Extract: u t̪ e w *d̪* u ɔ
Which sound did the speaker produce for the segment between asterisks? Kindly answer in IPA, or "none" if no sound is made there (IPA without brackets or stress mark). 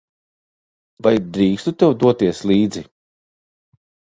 d̪